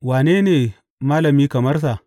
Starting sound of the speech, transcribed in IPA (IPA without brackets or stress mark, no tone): w